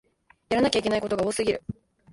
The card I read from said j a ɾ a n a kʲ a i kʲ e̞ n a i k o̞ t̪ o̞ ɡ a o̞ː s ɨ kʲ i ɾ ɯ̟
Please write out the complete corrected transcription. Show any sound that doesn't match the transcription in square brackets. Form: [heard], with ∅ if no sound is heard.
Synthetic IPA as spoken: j a ɾ a n a kʲ a i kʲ e̞ n a i k o̞ t̪ o̞ ɡ a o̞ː s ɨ [ɡʲ] i ɾ ɯ̟